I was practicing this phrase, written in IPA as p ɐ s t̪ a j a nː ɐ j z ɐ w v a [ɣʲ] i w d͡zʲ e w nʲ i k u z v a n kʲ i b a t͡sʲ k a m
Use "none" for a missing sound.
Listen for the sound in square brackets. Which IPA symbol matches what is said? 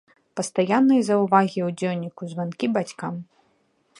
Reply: ɣʲ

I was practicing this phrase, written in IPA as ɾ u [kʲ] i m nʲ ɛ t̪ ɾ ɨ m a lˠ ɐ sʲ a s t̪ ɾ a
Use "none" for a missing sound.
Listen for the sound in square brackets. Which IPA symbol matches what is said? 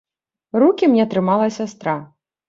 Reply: kʲ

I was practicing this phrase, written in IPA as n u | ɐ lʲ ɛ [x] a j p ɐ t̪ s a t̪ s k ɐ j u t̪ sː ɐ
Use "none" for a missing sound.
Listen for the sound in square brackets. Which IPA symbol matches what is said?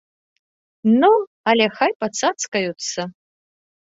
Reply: x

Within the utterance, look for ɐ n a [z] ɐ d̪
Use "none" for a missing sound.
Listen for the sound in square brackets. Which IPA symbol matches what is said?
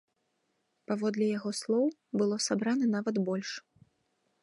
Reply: v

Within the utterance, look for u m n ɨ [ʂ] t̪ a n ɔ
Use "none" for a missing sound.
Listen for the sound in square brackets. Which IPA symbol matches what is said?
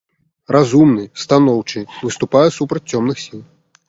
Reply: s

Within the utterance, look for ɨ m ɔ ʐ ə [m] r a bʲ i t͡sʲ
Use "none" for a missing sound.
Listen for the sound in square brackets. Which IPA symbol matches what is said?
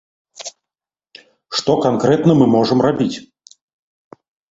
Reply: m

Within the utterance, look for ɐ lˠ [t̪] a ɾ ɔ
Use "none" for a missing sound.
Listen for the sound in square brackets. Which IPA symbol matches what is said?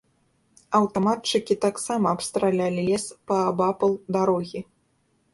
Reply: d̪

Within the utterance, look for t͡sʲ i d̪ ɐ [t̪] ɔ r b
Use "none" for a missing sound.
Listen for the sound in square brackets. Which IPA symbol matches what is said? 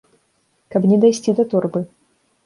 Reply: t̪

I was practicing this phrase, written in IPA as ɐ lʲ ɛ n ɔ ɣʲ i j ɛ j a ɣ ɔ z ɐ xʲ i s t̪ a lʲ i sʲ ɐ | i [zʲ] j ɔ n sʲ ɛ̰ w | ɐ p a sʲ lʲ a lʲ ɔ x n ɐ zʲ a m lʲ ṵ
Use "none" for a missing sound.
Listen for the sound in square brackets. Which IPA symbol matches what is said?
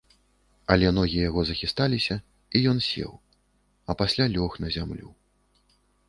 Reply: none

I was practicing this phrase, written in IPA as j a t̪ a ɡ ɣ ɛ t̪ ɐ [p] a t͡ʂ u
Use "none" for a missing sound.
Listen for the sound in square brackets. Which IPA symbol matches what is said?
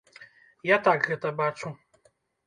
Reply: b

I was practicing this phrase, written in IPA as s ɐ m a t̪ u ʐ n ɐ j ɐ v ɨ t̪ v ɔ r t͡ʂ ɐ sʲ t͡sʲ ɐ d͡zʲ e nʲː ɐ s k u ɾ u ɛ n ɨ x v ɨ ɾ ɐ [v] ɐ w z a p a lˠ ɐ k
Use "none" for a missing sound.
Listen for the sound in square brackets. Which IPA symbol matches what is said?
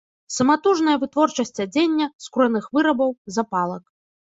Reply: b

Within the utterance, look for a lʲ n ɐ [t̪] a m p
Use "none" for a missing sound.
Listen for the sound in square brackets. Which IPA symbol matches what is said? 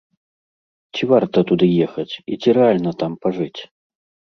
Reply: t̪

